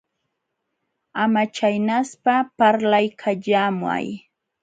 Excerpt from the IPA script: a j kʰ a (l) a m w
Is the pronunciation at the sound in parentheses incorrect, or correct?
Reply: incorrect: ʎ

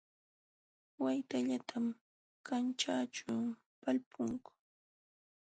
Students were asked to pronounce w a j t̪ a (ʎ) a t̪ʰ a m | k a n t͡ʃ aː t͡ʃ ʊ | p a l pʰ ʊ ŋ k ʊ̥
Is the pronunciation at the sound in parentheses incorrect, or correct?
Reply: correct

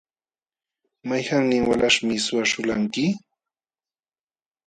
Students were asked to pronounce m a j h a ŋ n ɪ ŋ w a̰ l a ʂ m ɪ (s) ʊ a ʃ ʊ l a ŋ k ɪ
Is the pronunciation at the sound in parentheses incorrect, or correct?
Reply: correct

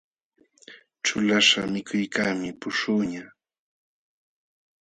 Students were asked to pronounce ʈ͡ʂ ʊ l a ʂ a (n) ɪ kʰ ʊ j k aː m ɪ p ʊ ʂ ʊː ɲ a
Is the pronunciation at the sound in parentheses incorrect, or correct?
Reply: incorrect: m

